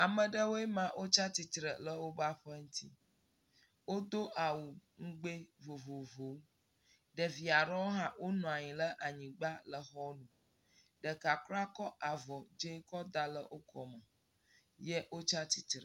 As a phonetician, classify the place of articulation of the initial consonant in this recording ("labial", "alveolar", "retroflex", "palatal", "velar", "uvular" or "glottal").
labial